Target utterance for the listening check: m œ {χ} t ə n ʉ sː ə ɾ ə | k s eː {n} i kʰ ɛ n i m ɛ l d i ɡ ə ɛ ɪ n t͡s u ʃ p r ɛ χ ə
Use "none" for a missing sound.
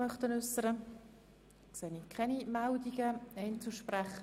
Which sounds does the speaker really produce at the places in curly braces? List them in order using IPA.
χ, n

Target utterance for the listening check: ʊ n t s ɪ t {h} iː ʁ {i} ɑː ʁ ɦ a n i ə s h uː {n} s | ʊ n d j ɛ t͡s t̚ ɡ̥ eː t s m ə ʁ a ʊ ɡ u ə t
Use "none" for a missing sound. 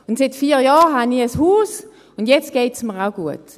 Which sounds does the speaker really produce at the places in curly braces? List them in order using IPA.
f, j, none

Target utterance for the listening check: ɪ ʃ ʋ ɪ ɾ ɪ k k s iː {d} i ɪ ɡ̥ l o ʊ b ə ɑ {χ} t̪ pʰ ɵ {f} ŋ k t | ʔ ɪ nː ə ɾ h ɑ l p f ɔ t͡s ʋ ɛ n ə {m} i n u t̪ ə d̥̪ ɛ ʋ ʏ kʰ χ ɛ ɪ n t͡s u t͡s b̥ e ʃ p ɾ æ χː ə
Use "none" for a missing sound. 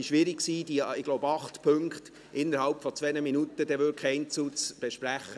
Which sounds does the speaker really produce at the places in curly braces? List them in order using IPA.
d, χ, none, m

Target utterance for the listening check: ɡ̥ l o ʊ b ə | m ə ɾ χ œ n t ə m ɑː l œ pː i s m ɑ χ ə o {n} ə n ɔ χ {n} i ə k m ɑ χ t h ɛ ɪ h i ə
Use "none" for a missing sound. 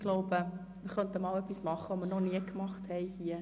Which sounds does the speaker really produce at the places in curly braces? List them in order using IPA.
m, n

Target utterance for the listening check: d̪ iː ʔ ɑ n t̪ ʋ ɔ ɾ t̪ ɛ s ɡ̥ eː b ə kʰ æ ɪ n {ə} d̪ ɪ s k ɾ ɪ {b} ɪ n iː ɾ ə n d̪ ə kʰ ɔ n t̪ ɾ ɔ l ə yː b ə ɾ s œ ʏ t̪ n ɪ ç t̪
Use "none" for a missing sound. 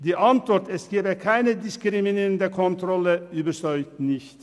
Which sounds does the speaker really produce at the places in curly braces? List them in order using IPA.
ə, m

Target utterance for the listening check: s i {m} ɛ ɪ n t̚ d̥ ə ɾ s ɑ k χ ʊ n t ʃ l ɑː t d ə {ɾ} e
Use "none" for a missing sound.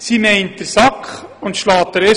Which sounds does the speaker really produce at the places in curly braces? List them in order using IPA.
m, ɾ

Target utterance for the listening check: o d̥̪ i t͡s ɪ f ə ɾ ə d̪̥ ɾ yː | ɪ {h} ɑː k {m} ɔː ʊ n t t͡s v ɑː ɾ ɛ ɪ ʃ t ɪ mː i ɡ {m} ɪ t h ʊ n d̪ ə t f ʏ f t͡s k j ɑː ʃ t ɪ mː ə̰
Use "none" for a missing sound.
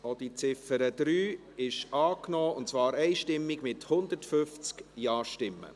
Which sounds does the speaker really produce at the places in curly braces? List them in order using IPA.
ʃ, n, m

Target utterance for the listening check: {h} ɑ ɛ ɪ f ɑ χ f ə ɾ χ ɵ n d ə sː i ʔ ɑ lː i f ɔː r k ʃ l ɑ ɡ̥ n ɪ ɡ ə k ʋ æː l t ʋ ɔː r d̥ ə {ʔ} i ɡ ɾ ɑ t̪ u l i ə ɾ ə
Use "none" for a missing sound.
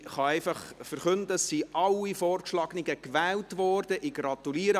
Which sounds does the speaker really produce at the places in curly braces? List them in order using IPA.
χ, ʔ

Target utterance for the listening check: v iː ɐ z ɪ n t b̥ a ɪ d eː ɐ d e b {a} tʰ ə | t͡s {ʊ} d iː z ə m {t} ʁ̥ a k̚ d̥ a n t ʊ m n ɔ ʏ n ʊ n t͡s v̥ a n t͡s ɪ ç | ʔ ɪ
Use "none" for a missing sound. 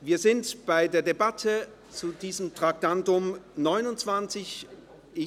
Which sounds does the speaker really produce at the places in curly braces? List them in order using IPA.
a, u, t

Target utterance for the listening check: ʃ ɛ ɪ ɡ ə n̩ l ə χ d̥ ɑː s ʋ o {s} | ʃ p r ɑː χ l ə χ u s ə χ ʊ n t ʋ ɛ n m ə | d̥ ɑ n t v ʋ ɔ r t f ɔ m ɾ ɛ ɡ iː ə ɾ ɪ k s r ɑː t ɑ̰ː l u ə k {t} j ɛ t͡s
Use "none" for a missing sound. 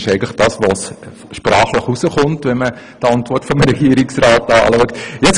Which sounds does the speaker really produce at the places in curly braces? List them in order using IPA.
s, t

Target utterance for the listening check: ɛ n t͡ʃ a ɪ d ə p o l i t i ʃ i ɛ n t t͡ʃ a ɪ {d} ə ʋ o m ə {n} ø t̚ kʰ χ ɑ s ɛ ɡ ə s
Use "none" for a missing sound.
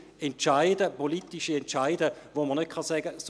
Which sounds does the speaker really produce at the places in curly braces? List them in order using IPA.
d, n

